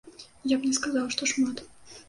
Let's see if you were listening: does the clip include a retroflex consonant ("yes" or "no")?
yes